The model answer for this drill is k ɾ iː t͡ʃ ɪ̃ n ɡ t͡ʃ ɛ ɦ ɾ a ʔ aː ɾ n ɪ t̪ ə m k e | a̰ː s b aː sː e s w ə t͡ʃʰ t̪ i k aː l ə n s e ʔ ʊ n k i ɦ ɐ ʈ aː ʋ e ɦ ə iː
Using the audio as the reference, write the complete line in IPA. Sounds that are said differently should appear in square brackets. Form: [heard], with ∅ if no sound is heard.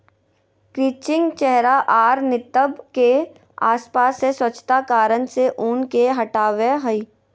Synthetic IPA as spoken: k ɾ iː t͡ʃ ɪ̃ [ŋ] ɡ t͡ʃ ɛ ɦ ɾ a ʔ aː ɾ n ɪ t̪ ə [b] k e | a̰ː s [p] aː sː e s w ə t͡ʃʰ t̪ [a] k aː [ɾ] ə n s e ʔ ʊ n k [e] ɦ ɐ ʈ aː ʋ e ɦ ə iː